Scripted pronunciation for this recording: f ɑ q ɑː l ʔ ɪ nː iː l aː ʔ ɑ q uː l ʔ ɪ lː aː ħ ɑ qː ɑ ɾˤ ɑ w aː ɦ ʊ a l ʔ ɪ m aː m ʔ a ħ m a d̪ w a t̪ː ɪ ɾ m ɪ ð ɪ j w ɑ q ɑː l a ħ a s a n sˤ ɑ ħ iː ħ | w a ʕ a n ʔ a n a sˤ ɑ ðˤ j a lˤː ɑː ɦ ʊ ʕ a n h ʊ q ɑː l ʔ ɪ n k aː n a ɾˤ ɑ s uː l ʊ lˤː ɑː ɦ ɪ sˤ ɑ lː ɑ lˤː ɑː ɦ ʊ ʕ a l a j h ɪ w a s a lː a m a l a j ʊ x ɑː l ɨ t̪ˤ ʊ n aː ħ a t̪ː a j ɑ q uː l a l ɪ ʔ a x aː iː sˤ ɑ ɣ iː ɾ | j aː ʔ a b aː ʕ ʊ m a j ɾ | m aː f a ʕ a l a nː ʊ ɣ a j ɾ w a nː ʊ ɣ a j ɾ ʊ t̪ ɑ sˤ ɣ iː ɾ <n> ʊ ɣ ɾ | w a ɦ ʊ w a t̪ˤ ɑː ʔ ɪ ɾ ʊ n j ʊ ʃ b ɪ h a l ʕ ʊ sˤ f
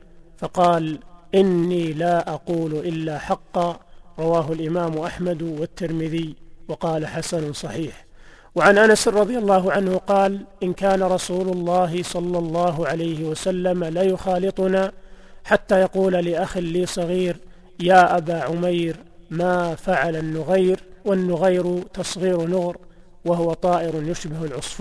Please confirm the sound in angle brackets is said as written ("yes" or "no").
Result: yes